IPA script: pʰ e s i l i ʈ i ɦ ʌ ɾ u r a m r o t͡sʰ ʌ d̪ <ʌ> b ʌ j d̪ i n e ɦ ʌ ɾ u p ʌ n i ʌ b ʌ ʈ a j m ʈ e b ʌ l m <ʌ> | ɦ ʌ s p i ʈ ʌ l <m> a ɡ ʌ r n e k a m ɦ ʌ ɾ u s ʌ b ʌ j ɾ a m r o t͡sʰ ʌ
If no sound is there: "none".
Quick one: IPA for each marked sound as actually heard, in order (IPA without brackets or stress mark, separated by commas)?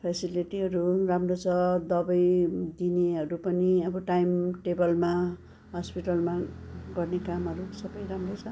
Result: ʌ, a, m